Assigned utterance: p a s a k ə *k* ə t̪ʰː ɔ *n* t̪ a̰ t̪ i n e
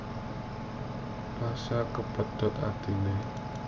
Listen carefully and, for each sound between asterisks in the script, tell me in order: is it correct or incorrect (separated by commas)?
incorrect, incorrect